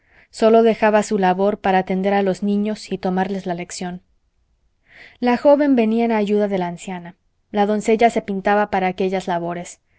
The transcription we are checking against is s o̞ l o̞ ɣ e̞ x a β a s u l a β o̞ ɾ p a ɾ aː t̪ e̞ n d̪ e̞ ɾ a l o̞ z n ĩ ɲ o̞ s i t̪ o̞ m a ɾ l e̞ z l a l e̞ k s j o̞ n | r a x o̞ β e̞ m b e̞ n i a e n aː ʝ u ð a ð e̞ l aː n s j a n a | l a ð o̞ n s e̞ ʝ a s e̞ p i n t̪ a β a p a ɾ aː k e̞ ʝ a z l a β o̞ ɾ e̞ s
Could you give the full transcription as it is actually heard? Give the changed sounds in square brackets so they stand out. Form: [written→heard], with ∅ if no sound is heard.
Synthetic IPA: s o̞ l o̞ [ɣ→ð] e̞ x a β a s u l a β o̞ ɾ p a ɾ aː t̪ e̞ n d̪ e̞ ɾ a l o̞ z n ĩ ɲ o̞ s i t̪ o̞ m a ɾ l e̞ z l a l e̞ k s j o̞ n | [r→l] a x o̞ β e̞ m b e̞ n i a e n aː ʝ u ð a ð e̞ l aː n s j a n a | l a ð o̞ n s e̞ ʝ a s e̞ p i n t̪ a β a p a ɾ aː k e̞ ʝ a z l a β o̞ ɾ e̞ s